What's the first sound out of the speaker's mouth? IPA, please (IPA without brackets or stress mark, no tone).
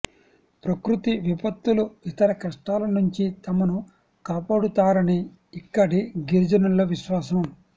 p